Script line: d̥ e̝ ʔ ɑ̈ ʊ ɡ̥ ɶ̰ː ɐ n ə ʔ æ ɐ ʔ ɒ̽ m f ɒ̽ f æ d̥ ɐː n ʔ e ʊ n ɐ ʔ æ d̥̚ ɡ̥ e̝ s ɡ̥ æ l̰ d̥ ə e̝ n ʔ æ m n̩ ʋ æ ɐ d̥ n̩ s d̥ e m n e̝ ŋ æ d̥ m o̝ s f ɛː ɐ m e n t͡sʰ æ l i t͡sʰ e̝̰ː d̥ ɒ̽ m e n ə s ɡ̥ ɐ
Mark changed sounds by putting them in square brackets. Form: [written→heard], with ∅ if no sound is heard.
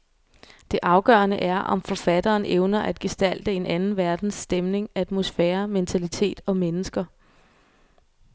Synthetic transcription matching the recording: d̥ e̝ ʔ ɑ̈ ʊ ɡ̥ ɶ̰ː ɐ n ə ʔ æ ɐ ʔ ɒ̽ m f ɒ̽ f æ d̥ ɐː n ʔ e ʊ n ɐ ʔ æ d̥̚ ɡ̥ e̝ s [ɡ̥→d̥] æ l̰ d̥ ə e̝ n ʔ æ [m→n] n̩ ʋ æ ɐ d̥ n̩ s d̥ e m n e̝ ŋ æ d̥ m o̝ s f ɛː ɐ m e n t͡sʰ æ l i t͡sʰ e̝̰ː d̥ ɒ̽ m e n ə s ɡ̥ ɐ